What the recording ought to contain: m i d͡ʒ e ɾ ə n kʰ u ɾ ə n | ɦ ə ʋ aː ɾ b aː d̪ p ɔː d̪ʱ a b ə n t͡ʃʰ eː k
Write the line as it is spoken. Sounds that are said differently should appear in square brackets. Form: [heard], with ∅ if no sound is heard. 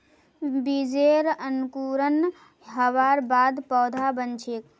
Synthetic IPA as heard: [b] i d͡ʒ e ɾ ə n [k] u ɾ ə n | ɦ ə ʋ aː ɾ b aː d̪ p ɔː d̪ʱ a b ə n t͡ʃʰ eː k